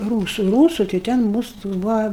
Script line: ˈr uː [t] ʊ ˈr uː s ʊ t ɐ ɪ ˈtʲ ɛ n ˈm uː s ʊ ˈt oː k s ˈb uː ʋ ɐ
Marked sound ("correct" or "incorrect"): incorrect